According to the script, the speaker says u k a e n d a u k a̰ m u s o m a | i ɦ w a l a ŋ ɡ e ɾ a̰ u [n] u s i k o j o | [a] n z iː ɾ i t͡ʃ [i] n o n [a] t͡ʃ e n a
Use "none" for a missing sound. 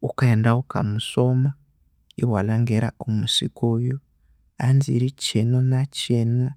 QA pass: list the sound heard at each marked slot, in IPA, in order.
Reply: m, a, e, a

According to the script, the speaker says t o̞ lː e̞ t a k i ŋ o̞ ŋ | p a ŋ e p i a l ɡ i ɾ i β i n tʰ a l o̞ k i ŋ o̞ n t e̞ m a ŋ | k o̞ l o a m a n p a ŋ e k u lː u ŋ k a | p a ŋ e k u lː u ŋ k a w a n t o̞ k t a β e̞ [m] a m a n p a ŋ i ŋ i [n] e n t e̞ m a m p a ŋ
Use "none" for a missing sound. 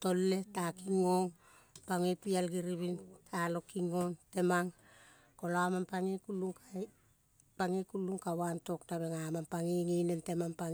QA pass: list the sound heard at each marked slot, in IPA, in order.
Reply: ŋ, n

